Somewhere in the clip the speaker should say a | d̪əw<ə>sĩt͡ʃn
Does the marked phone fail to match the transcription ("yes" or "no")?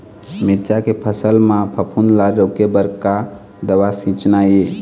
yes